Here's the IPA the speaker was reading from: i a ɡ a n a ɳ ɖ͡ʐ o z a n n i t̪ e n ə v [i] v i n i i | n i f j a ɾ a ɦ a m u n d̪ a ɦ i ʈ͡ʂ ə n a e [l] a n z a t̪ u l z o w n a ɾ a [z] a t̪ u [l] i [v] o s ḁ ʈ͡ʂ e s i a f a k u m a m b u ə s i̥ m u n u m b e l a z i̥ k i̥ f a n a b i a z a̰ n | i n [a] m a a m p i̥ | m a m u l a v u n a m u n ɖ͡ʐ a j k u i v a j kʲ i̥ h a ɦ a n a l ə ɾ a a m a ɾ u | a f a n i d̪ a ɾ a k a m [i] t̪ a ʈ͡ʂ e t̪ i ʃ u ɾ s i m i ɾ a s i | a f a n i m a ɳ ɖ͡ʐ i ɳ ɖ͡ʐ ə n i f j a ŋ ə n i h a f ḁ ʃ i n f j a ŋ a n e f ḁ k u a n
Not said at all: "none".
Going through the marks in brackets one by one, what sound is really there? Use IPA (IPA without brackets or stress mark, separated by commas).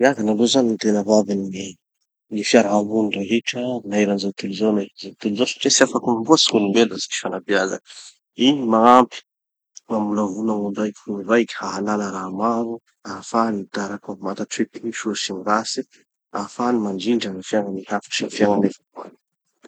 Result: a, ɾ, z, l, z, i, a